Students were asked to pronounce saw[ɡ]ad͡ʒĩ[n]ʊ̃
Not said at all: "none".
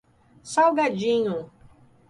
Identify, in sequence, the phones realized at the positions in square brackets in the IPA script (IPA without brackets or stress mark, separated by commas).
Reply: ɡ, ɲ